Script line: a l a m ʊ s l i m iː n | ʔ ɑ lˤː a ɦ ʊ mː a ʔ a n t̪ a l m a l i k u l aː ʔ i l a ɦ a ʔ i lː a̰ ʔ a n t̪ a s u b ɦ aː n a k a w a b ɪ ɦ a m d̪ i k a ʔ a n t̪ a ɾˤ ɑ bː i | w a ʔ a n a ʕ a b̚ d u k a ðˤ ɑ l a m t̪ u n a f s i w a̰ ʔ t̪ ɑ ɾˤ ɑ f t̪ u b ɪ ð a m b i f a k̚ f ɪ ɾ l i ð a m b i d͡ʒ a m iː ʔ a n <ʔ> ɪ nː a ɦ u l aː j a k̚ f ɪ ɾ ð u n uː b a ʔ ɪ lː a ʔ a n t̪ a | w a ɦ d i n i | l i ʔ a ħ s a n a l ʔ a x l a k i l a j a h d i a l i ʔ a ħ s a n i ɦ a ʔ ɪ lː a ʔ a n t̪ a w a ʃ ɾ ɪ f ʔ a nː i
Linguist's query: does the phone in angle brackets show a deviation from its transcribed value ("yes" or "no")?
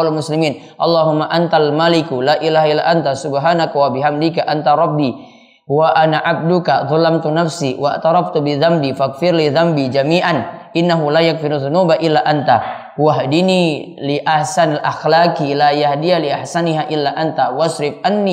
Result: no